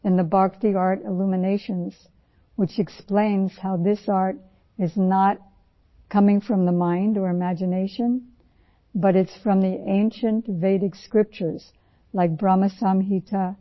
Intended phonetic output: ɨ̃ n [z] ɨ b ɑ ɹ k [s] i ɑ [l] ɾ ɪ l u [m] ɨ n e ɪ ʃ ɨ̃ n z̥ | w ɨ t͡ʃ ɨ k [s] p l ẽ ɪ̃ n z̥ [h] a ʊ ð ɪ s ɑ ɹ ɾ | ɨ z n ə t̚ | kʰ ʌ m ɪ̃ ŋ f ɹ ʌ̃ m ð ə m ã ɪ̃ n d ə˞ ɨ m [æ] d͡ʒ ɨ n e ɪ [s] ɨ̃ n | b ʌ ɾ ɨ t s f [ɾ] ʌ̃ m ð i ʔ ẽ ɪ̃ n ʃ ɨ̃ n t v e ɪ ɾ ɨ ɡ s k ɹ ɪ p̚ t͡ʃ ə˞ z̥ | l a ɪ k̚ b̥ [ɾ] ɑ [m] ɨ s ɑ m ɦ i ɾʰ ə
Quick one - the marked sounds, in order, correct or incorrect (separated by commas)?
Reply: incorrect, incorrect, incorrect, correct, correct, correct, correct, incorrect, incorrect, incorrect, correct